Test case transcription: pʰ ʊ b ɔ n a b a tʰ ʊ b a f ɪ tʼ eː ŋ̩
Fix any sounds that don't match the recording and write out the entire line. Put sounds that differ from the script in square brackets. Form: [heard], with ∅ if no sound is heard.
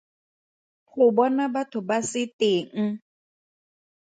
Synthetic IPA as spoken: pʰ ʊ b ɔ n a b a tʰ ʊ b a [s] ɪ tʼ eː ŋ̩